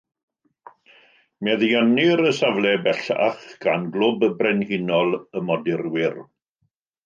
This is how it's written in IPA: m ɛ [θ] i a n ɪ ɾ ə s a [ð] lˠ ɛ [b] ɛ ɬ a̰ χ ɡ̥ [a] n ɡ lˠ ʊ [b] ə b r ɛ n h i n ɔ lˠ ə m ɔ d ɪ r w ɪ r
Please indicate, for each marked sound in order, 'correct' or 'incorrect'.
incorrect: ð, incorrect: v, correct, correct, correct

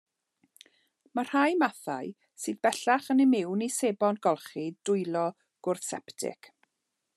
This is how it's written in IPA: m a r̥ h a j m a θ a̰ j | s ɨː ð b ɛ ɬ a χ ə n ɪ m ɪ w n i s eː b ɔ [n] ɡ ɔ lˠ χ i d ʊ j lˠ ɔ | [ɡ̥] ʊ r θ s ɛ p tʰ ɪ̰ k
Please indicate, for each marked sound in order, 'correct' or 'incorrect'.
correct, correct

